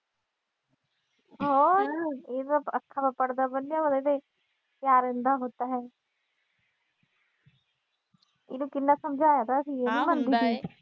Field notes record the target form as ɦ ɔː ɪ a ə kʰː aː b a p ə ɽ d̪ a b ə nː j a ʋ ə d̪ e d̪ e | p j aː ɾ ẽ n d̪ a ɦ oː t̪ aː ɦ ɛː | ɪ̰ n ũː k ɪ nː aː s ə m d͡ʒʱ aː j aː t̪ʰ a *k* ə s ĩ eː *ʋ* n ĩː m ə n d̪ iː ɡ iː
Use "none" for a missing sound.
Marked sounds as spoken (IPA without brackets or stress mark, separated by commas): none, none